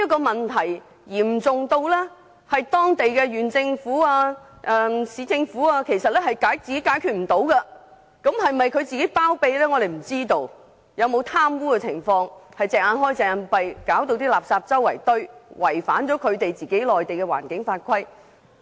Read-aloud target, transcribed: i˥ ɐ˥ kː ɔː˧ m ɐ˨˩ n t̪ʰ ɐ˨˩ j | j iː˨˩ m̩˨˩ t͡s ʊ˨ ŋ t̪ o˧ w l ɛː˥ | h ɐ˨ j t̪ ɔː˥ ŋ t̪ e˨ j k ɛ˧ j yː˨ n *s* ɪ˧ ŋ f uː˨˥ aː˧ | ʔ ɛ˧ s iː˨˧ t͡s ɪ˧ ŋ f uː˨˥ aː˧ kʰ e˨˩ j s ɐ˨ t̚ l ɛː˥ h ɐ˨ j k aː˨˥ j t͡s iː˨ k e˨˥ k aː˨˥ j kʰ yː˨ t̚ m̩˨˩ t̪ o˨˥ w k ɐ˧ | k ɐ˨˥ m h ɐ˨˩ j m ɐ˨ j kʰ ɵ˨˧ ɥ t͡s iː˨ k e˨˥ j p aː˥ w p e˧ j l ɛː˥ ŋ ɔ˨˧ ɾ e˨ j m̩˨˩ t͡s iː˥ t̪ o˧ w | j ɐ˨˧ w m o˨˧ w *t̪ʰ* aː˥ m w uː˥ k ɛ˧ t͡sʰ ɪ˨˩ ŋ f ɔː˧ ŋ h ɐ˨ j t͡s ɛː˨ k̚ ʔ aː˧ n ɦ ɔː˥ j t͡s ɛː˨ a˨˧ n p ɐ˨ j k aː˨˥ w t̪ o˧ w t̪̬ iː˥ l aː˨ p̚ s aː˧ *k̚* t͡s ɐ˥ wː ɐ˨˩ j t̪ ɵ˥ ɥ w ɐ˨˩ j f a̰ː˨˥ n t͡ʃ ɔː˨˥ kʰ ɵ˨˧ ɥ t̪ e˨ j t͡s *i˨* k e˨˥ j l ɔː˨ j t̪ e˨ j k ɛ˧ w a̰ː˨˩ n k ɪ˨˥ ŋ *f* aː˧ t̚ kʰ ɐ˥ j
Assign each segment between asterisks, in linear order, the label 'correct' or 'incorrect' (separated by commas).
incorrect, correct, incorrect, incorrect, correct